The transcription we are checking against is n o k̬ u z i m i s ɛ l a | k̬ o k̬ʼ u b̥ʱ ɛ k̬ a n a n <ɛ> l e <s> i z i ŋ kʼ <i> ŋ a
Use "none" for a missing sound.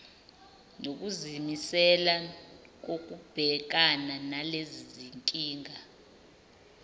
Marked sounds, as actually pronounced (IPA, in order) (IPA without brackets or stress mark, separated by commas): a, z, iː